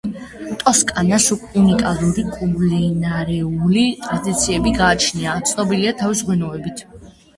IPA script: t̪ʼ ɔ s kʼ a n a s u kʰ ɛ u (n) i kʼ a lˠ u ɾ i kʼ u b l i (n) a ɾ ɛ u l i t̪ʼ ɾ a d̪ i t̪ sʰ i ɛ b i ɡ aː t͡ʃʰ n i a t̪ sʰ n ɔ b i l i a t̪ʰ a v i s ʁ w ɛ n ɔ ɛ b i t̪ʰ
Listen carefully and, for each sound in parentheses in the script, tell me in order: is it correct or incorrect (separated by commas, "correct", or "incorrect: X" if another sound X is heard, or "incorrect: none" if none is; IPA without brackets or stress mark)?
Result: correct, correct